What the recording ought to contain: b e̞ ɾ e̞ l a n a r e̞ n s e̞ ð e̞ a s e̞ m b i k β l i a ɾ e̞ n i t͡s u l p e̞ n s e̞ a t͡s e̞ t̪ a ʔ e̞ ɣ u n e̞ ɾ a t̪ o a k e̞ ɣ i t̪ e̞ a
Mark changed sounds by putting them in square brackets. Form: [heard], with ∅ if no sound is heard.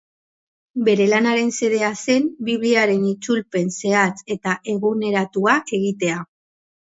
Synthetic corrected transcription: b e̞ ɾ e̞ l a n a [ɾ] e̞ n s e̞ ð e̞ a s e̞ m b i [∅] β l i a ɾ e̞ n i t͡s u l p e̞ n s e̞ a t͡s e̞ t̪ a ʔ e̞ ɣ u n e̞ ɾ a t̪ [u] a k e̞ ɣ i t̪ e̞ a